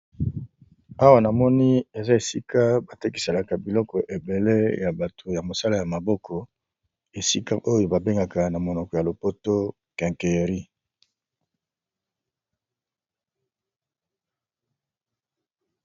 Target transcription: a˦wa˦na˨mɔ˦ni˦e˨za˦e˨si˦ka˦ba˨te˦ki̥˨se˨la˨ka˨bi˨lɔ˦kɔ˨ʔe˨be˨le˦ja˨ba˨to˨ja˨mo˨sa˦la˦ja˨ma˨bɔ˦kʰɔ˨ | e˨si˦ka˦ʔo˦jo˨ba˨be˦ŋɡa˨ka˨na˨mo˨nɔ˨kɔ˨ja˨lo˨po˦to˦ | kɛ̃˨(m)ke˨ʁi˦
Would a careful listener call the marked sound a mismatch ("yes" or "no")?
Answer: yes